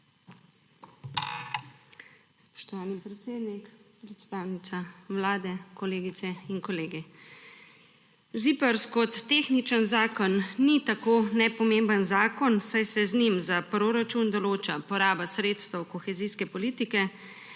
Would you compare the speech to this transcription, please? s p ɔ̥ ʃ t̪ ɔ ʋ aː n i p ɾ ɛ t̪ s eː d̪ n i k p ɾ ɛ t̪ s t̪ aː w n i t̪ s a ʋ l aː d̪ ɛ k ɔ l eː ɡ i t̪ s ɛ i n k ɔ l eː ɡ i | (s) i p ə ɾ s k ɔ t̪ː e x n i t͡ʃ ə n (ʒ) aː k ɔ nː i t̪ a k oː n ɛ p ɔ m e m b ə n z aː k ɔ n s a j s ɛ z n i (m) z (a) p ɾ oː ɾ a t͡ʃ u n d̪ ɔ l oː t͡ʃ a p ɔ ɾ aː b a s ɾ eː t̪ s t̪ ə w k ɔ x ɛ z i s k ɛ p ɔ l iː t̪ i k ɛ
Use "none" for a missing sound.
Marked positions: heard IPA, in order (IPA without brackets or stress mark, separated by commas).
z, z, m, a